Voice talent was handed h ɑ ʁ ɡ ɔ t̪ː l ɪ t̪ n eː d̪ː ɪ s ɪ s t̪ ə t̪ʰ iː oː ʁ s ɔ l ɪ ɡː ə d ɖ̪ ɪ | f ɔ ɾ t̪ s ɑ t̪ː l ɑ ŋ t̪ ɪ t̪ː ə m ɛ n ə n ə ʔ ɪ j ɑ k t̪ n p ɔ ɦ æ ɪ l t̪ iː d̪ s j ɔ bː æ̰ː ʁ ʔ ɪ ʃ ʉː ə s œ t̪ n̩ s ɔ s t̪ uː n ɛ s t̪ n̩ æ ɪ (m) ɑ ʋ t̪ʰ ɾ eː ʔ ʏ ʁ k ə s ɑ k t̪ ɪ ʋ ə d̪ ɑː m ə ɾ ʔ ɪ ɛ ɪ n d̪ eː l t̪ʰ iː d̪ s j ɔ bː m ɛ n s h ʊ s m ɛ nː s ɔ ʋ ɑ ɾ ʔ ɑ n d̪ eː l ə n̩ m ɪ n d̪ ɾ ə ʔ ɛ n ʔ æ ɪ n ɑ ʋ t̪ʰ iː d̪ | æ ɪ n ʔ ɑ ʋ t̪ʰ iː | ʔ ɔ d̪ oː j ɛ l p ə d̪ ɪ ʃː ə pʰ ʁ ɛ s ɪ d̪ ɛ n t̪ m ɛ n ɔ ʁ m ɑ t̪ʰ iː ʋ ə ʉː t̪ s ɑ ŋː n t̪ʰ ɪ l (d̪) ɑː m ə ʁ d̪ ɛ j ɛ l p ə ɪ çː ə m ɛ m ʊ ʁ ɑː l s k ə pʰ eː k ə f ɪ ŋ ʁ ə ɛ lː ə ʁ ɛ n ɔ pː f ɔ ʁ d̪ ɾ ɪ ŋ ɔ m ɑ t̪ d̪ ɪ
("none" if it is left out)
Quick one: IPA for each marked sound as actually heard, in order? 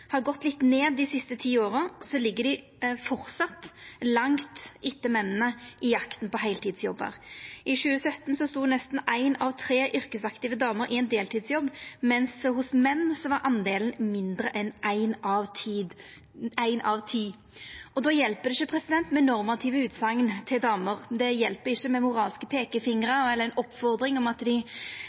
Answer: n, d̪

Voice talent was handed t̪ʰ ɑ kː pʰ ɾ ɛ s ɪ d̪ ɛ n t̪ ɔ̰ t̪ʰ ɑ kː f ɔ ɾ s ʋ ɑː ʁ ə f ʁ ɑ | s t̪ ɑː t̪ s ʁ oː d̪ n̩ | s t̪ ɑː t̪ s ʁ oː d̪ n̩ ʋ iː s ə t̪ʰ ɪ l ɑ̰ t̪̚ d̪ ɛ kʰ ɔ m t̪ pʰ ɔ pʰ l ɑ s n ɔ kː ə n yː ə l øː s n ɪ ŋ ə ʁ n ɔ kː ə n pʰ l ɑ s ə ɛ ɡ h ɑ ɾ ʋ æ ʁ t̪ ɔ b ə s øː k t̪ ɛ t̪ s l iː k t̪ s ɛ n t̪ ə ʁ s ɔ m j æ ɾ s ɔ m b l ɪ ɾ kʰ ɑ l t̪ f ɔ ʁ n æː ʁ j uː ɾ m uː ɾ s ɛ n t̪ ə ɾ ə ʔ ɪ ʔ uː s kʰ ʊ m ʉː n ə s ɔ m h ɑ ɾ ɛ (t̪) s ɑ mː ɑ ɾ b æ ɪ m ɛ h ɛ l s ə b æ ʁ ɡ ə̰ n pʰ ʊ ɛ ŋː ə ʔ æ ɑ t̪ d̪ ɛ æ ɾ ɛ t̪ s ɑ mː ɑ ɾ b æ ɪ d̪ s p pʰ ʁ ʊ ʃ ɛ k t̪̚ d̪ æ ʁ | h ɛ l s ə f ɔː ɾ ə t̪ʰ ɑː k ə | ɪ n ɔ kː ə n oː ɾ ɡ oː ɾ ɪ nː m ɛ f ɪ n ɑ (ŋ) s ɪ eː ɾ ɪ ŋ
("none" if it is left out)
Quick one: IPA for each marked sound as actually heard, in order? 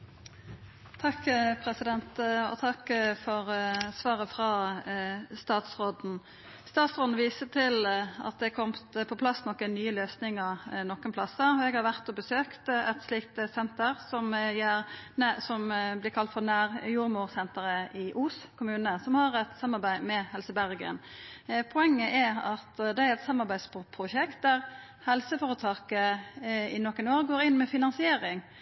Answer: t̪, n

